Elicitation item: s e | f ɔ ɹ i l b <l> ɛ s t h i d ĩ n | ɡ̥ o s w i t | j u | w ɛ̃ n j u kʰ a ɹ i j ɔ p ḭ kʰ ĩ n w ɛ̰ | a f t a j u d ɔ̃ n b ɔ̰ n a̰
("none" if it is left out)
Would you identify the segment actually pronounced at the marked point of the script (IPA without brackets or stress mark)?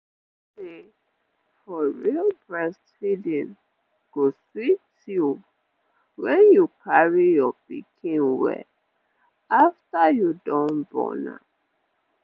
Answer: ɹ